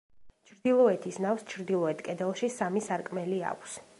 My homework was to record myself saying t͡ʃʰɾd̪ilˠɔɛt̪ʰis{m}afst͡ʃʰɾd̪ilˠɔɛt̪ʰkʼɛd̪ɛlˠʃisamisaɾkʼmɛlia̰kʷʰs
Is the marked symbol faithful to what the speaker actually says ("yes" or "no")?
no